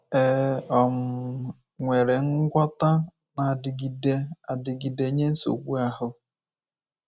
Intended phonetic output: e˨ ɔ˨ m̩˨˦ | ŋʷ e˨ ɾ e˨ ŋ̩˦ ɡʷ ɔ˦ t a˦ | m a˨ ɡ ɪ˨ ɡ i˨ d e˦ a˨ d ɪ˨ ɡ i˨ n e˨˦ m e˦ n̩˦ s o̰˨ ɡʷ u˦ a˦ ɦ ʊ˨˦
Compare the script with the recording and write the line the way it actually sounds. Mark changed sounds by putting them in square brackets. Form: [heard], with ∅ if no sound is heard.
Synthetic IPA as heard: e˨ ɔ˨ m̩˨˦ | ŋʷ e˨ ɾ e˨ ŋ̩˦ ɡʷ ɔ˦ t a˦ | [n] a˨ [d] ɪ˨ ɡ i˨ d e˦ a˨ d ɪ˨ ɡ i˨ [d] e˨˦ [ɲ] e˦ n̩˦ s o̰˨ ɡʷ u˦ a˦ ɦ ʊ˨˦